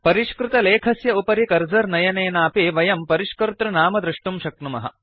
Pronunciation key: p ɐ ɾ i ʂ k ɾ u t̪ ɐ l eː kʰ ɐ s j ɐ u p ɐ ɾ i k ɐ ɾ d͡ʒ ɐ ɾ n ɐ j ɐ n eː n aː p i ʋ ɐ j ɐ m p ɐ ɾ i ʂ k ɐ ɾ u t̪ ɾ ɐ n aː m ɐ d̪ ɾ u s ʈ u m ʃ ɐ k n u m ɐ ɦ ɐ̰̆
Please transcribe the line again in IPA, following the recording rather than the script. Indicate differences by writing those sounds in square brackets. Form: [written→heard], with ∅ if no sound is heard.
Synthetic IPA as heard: p ɐ ɾ i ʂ k ɾ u t̪ ɐ l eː kʰ ɐ s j ɐ u p ɐ ɾ i k ɐ ɾ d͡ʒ ɐ ɾ n ɐ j ɐ n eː n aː p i ʋ ɐ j ɐ m p ɐ ɾ i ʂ k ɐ ɾ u t̪ ɾ ɐ n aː m ɐ d̪ ɾ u [s→ʂ] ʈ u m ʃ ɐ k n u m ɐ ɦ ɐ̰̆